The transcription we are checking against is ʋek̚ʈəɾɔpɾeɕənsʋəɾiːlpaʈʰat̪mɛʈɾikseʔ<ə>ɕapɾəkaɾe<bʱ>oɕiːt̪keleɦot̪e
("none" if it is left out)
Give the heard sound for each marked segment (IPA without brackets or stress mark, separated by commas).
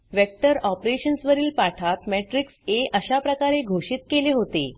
ə, ɡʱ